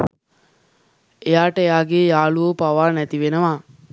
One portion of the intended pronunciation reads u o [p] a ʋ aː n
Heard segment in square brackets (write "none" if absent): p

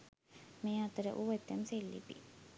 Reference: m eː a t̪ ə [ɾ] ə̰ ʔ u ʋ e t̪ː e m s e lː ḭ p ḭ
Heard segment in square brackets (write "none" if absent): ɾ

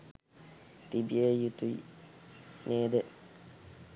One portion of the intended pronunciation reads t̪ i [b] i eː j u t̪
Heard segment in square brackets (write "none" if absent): b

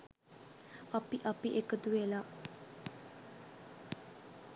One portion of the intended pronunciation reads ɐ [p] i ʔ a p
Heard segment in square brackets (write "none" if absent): p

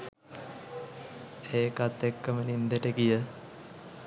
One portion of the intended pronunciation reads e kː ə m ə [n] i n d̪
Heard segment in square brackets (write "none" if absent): n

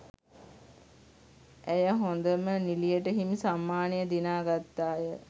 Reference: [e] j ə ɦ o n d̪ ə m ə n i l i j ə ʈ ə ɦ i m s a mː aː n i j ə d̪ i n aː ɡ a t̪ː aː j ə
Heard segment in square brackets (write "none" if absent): æ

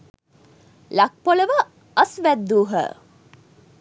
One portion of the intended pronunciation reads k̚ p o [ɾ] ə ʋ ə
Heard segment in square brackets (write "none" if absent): l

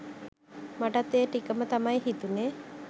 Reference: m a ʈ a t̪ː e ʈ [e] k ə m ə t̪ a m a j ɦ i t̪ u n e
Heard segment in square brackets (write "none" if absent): i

